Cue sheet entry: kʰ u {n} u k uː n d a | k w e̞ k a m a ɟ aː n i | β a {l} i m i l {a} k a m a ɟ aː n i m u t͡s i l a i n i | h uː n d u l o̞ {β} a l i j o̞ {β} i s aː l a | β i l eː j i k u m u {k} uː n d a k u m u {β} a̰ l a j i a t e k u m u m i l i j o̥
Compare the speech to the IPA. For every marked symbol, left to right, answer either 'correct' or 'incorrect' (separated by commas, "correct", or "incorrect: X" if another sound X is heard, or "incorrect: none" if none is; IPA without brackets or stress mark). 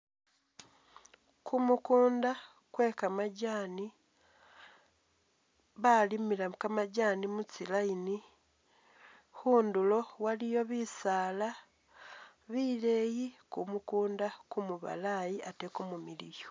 incorrect: m, correct, correct, incorrect: w, correct, correct, correct